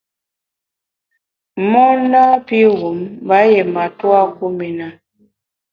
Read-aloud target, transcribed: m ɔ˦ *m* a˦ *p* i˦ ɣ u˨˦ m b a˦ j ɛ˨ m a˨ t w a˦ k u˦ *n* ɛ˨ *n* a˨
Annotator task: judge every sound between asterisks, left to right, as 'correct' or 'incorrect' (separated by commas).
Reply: incorrect, correct, incorrect, correct